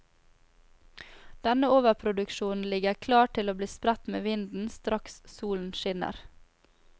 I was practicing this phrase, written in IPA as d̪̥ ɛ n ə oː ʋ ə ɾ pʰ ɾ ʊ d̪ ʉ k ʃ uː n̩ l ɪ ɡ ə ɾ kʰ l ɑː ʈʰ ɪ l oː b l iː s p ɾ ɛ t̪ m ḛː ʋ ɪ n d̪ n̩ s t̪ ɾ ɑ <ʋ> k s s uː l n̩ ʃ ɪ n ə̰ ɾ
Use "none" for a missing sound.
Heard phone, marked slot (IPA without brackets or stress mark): none